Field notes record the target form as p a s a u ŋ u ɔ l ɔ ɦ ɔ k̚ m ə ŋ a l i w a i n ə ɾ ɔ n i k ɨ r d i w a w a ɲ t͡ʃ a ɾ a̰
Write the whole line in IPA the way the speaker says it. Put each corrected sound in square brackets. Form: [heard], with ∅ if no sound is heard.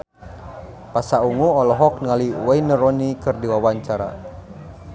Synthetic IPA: p a s a u ŋ u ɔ l ɔ ɦ ɔ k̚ [n] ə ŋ a l i w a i n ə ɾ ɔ n i k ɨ r d i w a w a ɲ t͡ʃ a ɾ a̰